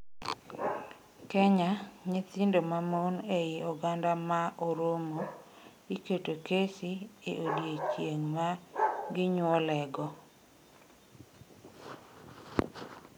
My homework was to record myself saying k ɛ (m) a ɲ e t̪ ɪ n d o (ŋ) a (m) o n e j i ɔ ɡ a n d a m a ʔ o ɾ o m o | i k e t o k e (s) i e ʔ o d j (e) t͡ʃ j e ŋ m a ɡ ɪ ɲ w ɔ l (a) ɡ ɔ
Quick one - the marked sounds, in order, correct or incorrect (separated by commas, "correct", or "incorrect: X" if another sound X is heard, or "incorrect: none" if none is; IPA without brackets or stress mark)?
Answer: incorrect: ɲ, incorrect: m, correct, correct, correct, incorrect: ɛ